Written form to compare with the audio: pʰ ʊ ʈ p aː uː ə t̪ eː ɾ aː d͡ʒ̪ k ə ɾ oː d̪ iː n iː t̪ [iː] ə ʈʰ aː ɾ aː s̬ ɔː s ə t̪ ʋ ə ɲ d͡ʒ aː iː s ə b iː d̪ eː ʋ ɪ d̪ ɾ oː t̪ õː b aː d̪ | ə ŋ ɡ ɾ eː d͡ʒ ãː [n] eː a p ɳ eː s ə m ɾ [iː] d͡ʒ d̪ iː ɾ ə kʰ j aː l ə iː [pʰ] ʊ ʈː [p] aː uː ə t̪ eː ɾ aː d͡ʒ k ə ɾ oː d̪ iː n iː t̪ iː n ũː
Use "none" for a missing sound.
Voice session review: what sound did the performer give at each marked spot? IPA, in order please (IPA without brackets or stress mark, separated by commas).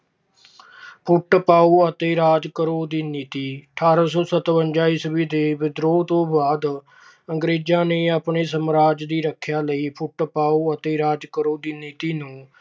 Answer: iː, n, aː, pʰ, p